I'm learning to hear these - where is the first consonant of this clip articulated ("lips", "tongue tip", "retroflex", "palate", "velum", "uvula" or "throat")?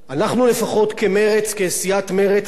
tongue tip